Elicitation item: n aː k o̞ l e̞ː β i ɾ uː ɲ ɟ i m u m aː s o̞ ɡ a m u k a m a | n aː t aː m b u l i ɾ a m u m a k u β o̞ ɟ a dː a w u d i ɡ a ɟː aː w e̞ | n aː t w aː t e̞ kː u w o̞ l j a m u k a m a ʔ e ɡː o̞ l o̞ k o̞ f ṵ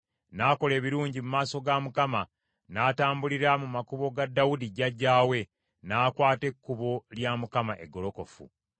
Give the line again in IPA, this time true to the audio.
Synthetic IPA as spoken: n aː k o̞ l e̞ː β i ɾ uː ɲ ɟ i m u m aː s o̞ ɡ a m u k a m a | n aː t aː m b u l i ɾ a m u m a k u β o̞ ɡ a dː a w u d i ɟ a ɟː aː w e̞ | n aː k w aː t e̞ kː u β o̞ l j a m u k a m a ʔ e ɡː o̞ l o̞ k o̞ f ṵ